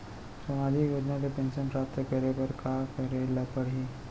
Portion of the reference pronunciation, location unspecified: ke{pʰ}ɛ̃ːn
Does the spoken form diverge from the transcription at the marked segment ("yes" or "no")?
yes